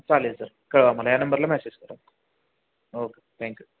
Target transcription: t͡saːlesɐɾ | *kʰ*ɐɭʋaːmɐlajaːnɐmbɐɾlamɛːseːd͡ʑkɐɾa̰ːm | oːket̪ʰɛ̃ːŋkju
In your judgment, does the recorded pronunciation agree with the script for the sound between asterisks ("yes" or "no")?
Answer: no